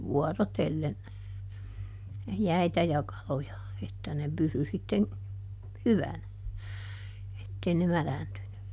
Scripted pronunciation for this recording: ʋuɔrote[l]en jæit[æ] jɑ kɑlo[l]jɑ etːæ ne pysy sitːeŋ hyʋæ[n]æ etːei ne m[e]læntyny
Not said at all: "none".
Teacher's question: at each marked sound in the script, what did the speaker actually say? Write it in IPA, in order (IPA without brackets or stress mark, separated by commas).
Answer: lː, æ, none, n, æ